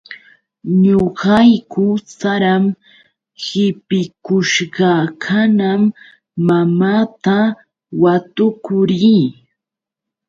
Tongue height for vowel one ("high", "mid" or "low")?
mid